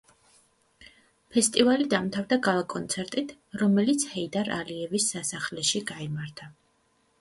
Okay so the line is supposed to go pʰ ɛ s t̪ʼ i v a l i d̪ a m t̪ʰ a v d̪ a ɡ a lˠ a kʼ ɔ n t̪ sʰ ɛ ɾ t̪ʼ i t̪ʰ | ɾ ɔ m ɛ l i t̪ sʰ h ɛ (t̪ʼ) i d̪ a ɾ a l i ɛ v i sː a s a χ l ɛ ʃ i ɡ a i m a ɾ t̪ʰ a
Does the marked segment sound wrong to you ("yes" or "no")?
yes